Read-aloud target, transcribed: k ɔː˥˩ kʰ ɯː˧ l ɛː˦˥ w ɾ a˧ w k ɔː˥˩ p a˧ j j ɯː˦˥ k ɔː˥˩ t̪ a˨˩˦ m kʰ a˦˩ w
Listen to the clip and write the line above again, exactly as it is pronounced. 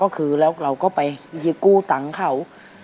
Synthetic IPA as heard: k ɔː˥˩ kʰ ɯː˧ l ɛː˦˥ w ɾ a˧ w k ɔː˥˩ p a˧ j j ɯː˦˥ k uː˥˩ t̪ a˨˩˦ ŋ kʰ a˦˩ w